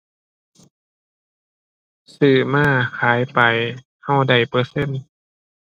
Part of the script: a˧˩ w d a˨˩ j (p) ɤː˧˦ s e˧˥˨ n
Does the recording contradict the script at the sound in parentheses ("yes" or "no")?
no